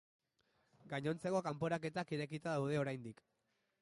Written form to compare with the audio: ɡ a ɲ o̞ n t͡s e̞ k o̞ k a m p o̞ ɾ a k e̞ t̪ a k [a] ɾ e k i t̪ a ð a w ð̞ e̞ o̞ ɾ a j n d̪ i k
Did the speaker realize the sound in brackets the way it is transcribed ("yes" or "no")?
no